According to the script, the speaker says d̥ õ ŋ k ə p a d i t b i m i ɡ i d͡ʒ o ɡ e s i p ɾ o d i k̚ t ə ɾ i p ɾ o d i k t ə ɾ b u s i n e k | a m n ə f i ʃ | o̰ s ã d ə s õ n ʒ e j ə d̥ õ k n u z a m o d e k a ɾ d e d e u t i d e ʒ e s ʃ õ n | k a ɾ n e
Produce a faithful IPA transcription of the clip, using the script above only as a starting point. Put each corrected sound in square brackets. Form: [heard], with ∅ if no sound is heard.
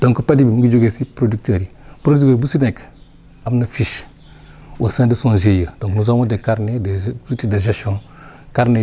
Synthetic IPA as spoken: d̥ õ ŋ k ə p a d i [∅] b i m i ɡ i d͡ʒ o ɡ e s i p ɾ o d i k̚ t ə ɾ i p ɾ o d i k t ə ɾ b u s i n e k | a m n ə f i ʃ | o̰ s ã d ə s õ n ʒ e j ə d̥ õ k n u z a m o d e k a ɾ [n] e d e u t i d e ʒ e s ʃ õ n | k a ɾ n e